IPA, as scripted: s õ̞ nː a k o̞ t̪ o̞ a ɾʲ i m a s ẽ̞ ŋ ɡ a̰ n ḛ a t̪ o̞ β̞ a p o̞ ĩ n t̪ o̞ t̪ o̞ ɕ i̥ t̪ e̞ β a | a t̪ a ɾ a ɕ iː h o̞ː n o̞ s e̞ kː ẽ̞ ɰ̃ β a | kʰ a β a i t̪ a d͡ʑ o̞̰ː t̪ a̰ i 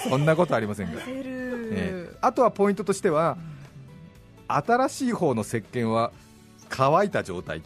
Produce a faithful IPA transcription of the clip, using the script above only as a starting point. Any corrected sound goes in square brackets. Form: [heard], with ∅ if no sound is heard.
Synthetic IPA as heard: s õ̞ nː a k o̞ t̪ o̞ a ɾʲ i m a s ẽ̞ ŋ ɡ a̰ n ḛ a t̪ o̞ β̞ a p o̞ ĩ n t̪ o̞ t̪ o̞ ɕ i̥ t̪ e̞ β a | a t̪ a ɾ a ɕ iː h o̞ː n o̞ s e̞ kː ẽ̞ ɰ̃ β a | kʰ a β a i t̪ a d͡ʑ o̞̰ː t̪ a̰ i